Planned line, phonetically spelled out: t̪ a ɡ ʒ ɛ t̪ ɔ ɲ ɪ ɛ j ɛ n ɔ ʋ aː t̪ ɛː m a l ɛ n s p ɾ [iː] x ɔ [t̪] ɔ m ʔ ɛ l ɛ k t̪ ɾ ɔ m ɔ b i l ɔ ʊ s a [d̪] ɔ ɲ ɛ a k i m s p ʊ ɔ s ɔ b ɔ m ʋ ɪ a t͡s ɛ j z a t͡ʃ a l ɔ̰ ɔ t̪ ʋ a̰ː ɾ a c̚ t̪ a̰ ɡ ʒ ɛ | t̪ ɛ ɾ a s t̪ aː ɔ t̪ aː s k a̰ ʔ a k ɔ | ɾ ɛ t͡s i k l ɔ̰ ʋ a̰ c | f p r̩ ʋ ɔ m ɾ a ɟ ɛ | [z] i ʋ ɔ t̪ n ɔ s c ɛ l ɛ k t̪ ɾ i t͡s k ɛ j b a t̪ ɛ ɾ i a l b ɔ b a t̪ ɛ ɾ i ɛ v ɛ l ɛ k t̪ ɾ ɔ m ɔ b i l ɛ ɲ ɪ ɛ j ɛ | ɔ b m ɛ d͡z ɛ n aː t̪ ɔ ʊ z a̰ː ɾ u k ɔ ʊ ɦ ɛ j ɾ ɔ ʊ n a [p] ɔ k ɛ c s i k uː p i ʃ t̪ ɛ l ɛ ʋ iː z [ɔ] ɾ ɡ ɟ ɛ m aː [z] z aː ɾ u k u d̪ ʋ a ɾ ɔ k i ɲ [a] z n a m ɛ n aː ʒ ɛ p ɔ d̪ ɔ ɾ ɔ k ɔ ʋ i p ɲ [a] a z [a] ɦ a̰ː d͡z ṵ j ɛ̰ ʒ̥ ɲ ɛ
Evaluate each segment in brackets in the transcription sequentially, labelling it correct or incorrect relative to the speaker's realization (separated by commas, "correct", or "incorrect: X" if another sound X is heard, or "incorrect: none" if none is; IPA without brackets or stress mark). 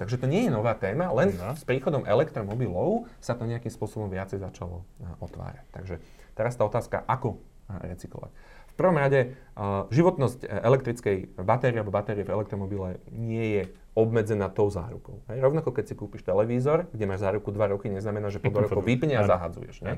correct, incorrect: d̪, incorrect: t̪, incorrect: ʒ, incorrect: k, correct, incorrect: ʒ, incorrect: ɛ, incorrect: ɛ, correct